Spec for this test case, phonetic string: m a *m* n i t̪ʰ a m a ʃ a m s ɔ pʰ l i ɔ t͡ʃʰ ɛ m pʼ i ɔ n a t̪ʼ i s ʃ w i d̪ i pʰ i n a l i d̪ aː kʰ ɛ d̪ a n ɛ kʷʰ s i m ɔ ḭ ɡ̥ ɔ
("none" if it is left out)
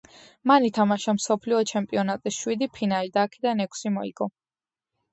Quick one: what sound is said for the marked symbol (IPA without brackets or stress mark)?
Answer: none